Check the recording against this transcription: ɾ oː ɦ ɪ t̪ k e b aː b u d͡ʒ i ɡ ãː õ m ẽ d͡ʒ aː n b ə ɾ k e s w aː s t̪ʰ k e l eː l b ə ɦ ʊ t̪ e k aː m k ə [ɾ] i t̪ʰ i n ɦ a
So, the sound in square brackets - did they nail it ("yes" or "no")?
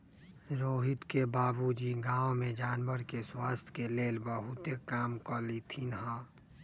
no